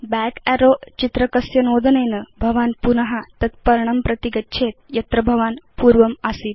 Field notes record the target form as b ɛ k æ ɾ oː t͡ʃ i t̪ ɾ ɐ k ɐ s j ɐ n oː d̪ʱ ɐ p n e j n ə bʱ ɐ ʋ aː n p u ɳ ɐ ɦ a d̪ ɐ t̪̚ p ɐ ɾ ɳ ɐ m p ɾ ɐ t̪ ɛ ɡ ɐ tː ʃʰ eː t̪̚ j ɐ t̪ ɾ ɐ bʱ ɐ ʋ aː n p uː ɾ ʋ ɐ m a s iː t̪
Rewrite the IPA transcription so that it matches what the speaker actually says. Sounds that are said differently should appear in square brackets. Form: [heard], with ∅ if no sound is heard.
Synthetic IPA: b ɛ k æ ɾ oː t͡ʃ i t̪ ɾ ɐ k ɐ s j ɐ n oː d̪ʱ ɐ [∅] n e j n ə bʱ ɐ ʋ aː n p u [n] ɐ ɦ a [t̪] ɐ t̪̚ p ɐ ɾ ɳ ɐ m p ɾ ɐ t̪ [i] ɡ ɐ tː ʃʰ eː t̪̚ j ɐ t̪ ɾ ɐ bʱ ɐ ʋ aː n p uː ɾ ʋ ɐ m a s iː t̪

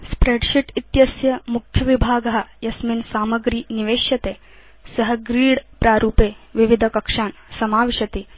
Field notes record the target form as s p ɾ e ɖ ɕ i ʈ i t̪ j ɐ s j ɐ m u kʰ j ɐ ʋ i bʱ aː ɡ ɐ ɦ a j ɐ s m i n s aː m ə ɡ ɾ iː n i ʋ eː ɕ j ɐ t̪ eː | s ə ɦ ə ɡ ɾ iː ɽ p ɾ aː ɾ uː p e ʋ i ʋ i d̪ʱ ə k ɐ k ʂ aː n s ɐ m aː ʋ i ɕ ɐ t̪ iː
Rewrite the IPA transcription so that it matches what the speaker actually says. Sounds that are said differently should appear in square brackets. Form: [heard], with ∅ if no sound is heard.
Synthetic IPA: s p ɾ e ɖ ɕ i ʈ i t̪ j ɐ s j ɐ m u kʰ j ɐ ʋ i bʱ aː ɡ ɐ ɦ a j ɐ s m i n s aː m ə ɡ ɾ iː n i ʋ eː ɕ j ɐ t̪ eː | s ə ɦ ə ɡ ɾ iː ɽ p ɾ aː ɾ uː p e ʋ i ʋ i d̪ʱ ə k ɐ k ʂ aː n s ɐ m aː ʋ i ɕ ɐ t̪ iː

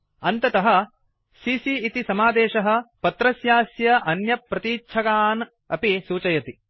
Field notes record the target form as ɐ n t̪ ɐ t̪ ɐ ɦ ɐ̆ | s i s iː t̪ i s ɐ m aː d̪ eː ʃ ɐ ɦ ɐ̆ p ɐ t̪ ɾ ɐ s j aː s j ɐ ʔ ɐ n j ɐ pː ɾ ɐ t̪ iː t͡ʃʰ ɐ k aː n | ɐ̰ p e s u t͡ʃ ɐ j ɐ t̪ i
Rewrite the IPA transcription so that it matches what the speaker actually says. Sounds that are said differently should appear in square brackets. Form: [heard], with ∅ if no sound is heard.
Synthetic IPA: ɐ n t̪ ɐ t̪ ɐ ɦ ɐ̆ | s i s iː t̪ i s ɐ m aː d̪ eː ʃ ɐ ɦ ɐ̆ p ɐ t̪ ɾ ɐ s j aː s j ɐ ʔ ɐ n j ɐ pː ɾ ɐ t̪ iː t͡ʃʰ ɐ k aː n | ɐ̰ p [i] s [uː] t͡ʃ ɐ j ɐ t̪ i

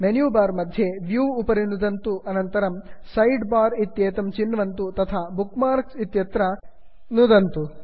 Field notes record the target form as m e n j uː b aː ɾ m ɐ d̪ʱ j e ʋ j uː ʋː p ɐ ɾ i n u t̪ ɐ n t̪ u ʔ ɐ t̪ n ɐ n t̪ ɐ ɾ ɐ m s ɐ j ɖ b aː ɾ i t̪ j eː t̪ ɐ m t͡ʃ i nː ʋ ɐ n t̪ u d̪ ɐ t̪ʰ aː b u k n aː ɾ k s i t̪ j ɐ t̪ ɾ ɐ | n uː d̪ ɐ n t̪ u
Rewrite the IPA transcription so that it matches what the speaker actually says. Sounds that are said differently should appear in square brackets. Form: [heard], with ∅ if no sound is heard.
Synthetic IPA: m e n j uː b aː ɾ m ɐ d̪ʱ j e ʋ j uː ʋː p ɐ ɾ i n u [d̪] ɐ n t̪ u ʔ ɐ [∅] n ɐ n t̪ ɐ ɾ ɐ m s ɐ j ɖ b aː ɾ i t̪ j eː t̪ ɐ m t͡ʃ i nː ʋ ɐ n t̪ u [t̪] ɐ t̪ʰ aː b u k [m] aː ɾ k s i t̪ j ɐ t̪ ɾ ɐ | n [u] d̪ ɐ n t̪ u

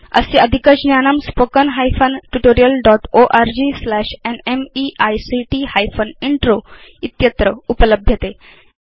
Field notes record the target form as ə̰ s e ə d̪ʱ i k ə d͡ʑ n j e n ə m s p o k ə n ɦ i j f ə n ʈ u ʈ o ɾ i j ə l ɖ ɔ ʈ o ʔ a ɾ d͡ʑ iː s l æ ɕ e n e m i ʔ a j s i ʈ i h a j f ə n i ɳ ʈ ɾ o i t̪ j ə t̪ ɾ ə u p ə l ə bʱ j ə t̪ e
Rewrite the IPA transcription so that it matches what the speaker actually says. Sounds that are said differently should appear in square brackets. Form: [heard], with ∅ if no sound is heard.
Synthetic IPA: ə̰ s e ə d̪ʱ i k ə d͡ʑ n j [a] n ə m s p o k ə n ɦ [a] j f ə n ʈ u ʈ o ɾ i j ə l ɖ ɔ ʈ o ʔ a ɾ d͡ʑ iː s l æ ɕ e n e m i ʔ a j s i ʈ i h a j f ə n i ɳ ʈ ɾ o i t̪ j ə t̪ ɾ ə u p ə l ə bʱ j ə t̪ e

